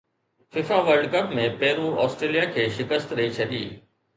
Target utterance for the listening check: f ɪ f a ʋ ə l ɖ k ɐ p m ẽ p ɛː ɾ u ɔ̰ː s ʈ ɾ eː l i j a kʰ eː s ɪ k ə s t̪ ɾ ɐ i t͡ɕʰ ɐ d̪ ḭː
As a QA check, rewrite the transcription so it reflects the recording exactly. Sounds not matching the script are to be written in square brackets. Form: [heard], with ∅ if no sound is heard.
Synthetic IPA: f ɪ f a ʋ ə [ɾ] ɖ k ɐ p m ẽ p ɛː ɾ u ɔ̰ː s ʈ ɾ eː l i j a kʰ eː [ʃ] ɪ k ə s t̪ ɾ ɐ i t͡ɕʰ ɐ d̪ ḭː